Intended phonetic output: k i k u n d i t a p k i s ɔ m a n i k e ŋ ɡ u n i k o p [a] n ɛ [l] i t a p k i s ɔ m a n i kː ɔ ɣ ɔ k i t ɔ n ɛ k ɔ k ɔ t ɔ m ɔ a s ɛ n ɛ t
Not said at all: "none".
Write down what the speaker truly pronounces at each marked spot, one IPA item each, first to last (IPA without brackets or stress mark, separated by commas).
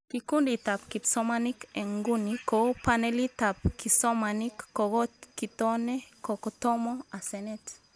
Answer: a, l